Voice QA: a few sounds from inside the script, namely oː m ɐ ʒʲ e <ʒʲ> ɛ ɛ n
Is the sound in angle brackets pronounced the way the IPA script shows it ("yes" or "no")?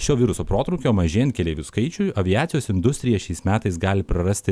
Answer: no